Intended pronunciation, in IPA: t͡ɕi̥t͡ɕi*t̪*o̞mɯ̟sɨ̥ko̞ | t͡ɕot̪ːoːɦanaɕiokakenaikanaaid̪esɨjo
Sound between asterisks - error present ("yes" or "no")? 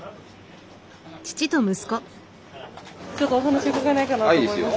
no